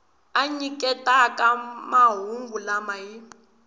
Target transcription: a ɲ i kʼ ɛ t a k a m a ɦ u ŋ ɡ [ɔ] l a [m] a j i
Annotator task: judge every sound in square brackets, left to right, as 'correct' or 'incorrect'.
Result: incorrect, correct

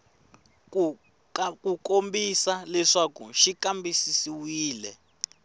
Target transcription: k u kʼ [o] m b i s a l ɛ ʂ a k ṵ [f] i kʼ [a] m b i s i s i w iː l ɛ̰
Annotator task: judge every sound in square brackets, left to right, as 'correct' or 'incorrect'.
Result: correct, incorrect, correct

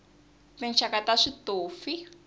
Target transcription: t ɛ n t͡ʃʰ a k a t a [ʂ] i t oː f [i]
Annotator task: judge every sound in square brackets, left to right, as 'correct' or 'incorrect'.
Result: correct, correct

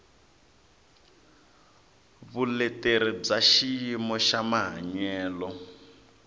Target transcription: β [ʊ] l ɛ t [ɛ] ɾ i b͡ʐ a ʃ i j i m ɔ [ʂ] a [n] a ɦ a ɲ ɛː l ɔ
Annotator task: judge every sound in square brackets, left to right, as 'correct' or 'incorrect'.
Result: incorrect, incorrect, incorrect, incorrect

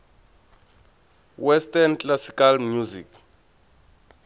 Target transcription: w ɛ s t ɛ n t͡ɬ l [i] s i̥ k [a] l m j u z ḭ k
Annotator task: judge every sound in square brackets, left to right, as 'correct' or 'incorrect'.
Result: incorrect, correct

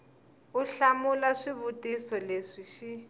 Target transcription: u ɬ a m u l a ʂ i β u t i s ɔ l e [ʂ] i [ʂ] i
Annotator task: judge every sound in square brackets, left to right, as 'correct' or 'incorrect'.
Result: correct, incorrect

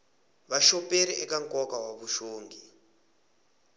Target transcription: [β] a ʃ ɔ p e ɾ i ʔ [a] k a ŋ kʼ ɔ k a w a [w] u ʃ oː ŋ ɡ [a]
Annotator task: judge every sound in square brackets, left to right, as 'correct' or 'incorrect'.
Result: correct, incorrect, incorrect, incorrect

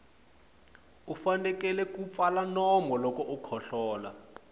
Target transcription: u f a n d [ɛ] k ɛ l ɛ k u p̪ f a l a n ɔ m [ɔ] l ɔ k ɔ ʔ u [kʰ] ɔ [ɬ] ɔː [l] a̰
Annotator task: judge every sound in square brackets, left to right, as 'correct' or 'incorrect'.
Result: correct, correct, correct, correct, correct

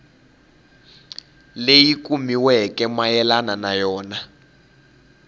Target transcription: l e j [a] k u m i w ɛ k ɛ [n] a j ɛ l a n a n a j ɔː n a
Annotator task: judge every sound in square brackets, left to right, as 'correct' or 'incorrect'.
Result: incorrect, incorrect

